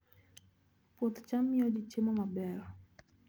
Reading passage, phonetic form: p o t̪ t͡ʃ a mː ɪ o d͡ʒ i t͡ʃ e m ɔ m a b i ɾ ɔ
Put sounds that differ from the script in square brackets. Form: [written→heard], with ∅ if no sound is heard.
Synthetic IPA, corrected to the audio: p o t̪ t͡ʃ a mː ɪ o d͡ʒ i t͡ʃ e m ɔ m a b [i→ɛ] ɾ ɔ